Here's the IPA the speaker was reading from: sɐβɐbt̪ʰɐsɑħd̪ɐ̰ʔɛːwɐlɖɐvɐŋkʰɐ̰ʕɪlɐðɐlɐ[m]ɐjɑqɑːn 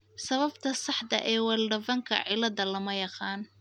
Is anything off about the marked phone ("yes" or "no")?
no